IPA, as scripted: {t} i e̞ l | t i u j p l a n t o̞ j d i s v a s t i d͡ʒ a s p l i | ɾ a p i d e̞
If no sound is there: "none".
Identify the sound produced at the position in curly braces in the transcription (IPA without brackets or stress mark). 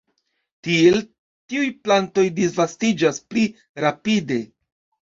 t